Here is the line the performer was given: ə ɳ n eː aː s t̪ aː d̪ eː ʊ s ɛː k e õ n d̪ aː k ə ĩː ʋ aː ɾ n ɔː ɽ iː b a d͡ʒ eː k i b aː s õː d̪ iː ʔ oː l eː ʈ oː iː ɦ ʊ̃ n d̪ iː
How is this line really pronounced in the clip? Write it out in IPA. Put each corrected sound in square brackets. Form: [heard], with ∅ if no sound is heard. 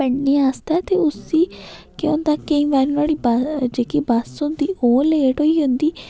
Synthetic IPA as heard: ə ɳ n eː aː s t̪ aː [t̪] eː ʊ s [iː] k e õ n d̪ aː k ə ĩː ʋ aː ɾ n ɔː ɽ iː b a d͡ʒ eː k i b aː s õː d̪ iː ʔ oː l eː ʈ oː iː ɦ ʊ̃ n d̪ iː